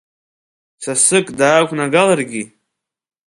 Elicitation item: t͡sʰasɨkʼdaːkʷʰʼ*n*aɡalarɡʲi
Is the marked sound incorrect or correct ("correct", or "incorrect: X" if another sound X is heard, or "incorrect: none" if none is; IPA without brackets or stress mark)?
correct